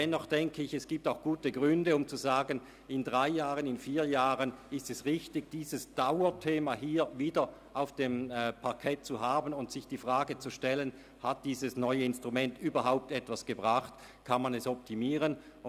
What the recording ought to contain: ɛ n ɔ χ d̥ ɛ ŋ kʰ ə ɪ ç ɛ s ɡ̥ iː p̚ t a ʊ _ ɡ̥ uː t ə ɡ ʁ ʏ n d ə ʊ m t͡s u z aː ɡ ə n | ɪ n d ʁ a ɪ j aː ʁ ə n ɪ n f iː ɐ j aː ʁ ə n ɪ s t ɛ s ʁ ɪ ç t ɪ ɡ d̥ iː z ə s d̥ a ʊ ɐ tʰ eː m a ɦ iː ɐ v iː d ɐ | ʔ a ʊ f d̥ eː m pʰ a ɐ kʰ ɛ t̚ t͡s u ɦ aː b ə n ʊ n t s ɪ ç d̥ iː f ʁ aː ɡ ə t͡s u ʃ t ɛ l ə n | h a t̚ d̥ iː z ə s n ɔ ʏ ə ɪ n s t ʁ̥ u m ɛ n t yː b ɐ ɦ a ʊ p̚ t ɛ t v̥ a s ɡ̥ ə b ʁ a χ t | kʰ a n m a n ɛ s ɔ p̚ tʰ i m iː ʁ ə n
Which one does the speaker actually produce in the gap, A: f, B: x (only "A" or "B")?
B